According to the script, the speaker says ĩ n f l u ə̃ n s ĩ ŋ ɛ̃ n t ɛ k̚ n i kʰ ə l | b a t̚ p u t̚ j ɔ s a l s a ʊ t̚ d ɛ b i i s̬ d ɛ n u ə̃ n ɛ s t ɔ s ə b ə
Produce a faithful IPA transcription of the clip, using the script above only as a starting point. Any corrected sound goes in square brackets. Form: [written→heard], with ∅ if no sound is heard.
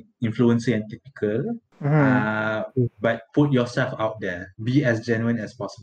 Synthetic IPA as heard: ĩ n f l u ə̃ n s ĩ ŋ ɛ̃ n t ɛ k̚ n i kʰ ə l | b a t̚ p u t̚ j ɔ s [a→ɛ] l [s→f] a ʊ t̚ d ɛ b i [i→ɛ] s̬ [d→d͡ʒ] ɛ n u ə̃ n ɛ s [t→p] ɔ s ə b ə